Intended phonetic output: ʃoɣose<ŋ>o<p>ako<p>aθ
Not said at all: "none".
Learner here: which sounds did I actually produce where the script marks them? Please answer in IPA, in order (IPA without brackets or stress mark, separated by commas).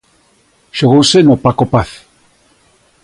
n, p, p